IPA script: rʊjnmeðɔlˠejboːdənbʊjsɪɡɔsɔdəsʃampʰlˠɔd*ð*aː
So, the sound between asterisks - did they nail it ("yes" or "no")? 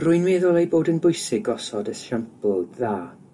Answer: yes